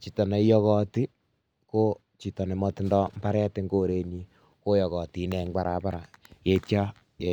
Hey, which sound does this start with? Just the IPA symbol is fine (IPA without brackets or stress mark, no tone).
t͡ʃ